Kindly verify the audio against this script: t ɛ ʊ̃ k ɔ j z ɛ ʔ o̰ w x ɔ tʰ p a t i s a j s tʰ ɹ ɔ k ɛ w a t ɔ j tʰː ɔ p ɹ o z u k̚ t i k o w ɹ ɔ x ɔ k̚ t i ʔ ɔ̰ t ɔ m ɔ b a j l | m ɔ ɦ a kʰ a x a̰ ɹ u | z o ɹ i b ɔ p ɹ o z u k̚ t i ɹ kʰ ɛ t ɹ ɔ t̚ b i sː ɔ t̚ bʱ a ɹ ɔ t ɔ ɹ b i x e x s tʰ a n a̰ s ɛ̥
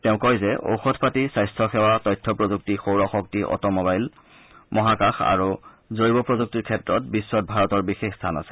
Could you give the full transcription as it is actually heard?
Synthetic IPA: t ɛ ʊ̃ k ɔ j z ɛ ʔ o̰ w x ɔ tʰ p a t i s a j s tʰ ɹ ɔ x ɛ w a t ɔ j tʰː ɔ p ɹ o z u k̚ t i x o w ɹ ɔ x ɔ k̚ t i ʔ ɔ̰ t ɔ m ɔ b a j l | m ɔ ɦ a k a x a̰ ɹ u | z o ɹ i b ɔ p ɹ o z u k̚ t i ɹ kʰ ɛ t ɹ ɔ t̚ b i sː ɔ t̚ bʱ a ɹ ɔ t ɔ ɹ b i x e x s tʰ a n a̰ s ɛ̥

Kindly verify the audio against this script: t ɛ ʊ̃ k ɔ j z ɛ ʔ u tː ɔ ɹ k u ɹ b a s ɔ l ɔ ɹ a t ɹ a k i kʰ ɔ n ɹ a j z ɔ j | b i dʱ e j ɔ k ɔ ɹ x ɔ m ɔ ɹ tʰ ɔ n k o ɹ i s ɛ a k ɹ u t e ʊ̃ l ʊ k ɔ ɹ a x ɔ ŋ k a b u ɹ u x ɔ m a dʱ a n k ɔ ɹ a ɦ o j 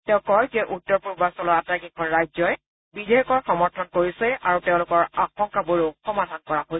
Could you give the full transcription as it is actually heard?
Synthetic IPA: t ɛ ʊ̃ k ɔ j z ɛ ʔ u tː ɔ ɹ p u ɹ b a s ɔ l ɔ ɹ a t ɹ a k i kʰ ɔ n ɹ a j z ɔ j | b i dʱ e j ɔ k ɔ ɹ x ɔ m ɔ ɹ tʰ ɔ n k o ɹ i s ɛ a ɹ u t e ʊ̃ l ʊ k ɔ ɹ a x ɔ ŋ k a b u ɹ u x ɔ m a dʱ a n k ɔ ɹ a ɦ o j

